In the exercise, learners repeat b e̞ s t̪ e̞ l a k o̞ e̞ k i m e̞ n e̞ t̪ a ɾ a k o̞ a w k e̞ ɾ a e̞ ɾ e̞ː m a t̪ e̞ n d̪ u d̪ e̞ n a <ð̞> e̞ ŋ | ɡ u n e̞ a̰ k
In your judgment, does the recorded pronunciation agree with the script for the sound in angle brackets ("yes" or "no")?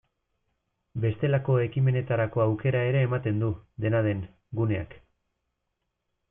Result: yes